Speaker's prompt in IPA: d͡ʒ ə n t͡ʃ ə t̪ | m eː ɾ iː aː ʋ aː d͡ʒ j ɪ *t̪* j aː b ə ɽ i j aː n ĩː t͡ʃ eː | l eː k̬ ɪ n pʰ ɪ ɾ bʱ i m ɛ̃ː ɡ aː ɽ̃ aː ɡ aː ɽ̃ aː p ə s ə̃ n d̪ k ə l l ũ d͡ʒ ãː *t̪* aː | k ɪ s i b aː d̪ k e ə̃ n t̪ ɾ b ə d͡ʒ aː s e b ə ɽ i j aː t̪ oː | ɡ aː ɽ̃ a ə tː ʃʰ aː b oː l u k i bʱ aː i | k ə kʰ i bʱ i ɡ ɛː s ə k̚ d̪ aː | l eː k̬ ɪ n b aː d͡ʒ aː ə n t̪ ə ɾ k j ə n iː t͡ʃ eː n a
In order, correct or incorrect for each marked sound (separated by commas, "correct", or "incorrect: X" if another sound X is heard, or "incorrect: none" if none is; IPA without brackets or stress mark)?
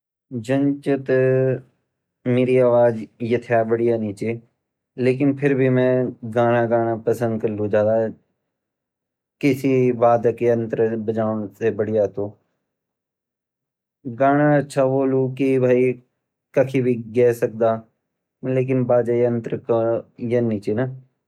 incorrect: t̪ʰ, incorrect: d̪